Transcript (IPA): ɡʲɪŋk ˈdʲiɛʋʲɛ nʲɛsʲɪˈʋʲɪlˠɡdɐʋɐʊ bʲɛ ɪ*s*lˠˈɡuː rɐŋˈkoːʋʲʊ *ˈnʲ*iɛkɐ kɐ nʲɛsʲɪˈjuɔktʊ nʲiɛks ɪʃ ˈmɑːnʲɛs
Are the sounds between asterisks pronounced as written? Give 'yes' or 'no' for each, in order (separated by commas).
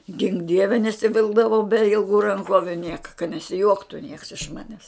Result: no, yes